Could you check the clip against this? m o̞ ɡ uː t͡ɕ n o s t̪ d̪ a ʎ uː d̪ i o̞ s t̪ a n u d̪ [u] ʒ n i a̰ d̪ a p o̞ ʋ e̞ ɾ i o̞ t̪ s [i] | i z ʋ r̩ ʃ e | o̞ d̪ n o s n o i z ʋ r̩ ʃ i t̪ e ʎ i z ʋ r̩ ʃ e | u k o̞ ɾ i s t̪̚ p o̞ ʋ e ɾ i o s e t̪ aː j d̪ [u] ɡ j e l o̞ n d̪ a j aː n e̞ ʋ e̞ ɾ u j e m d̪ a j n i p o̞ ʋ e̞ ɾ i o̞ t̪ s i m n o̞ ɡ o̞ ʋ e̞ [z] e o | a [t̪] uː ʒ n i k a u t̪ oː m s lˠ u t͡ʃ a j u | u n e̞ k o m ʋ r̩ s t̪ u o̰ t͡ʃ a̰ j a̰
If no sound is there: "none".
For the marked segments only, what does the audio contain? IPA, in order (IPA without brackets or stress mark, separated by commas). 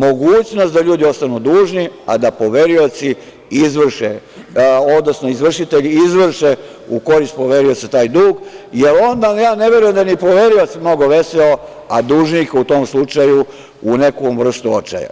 uː, i, uː, s, d̪